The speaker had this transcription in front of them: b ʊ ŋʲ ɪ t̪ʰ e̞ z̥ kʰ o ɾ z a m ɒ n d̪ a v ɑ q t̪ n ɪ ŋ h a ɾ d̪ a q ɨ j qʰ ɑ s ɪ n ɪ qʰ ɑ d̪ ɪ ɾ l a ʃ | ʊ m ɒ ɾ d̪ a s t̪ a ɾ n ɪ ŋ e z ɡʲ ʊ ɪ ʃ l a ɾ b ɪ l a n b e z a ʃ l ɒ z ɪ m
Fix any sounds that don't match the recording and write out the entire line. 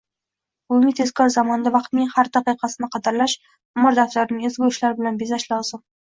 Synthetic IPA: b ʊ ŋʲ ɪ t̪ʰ e̞ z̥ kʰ ɒ ɾ z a m ɒ n d̪ a v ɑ q t̪ n ɪ ŋ h a ɾ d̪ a q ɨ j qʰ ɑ s ɪ n ɪ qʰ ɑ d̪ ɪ ɾ l a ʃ | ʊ m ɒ ɾ d̪ a f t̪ a ɾ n ɪ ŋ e z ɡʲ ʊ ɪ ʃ l a ɾ b ɪ l a n b e z a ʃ l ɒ z ɪ m